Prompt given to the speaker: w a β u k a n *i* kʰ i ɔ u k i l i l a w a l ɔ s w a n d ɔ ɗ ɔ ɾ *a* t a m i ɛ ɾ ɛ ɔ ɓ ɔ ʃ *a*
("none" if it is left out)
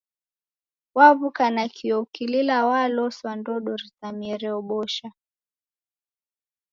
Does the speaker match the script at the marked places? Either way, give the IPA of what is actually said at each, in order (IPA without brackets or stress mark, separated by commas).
a, i, a